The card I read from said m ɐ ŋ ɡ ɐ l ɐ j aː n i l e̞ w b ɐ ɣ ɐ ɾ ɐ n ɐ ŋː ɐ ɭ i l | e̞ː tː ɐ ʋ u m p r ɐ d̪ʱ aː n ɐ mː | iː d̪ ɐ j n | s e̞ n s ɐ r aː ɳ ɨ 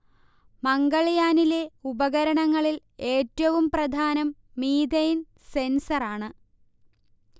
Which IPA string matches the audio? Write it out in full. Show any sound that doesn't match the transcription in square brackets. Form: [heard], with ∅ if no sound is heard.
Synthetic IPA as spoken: m ɐ ŋ ɡ ɐ [ɭ] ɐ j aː n i l e̞ [u] b ɐ ɣ ɐ ɾ ɐ [ɳ] ɐ ŋː ɐ ɭ i l | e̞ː tː ɐ ʋ u m p r ɐ d̪ʱ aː n ɐ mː | iː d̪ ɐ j n | s e̞ n s ɐ r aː ɳ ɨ